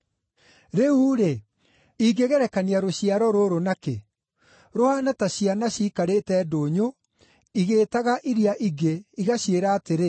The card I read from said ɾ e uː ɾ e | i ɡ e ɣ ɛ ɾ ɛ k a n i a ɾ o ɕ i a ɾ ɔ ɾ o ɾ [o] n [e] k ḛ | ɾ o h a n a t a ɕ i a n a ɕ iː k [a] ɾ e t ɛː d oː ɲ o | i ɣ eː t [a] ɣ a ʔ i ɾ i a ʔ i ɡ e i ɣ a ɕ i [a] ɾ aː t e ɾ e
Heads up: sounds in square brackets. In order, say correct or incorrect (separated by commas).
correct, incorrect, correct, correct, incorrect